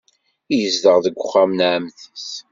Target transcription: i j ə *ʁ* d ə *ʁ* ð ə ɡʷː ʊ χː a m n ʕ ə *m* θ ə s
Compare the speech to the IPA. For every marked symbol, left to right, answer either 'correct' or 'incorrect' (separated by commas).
incorrect, correct, correct